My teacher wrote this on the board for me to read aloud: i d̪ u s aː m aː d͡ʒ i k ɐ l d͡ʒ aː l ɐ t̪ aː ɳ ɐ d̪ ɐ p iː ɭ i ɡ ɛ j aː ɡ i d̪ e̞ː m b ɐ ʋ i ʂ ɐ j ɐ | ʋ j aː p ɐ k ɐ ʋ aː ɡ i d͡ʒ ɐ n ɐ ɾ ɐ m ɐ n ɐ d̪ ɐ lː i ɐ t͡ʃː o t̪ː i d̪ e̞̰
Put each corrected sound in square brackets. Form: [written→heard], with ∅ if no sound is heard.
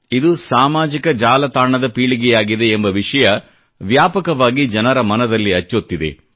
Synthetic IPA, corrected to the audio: i d̪ u s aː m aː d͡ʒ i k ɐ [l→∅] d͡ʒ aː l ɐ t̪ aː ɳ ɐ d̪ ɐ p iː ɭ i ɡ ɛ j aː ɡ i d̪ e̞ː m b ɐ ʋ i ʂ ɐ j ɐ | ʋ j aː p ɐ k ɐ ʋ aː ɡ i d͡ʒ ɐ n ɐ ɾ ɐ m ɐ n ɐ d̪ ɐ lː i ɐ t͡ʃː o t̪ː i d̪ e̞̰